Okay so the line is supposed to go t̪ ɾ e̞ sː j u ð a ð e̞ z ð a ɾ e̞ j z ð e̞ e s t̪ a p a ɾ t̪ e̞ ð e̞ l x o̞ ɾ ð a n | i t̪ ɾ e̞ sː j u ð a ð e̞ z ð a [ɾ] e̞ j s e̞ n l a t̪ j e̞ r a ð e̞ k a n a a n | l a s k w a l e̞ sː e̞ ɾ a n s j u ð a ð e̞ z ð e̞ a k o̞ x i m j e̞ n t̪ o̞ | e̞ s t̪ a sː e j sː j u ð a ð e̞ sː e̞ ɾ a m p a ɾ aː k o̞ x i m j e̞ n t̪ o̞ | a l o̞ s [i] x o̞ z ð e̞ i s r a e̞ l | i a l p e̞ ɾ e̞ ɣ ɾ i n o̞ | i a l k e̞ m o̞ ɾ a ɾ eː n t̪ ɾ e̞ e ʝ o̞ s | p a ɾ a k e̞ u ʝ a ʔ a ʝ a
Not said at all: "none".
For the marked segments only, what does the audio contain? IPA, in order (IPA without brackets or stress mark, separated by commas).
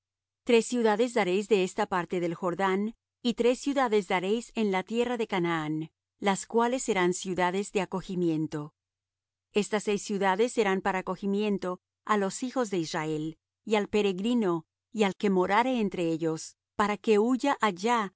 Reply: ɾ, i